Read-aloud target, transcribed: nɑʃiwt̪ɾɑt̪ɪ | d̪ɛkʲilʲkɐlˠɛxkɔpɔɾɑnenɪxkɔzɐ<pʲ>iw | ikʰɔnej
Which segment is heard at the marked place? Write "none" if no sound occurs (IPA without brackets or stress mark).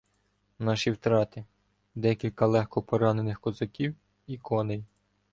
kʲ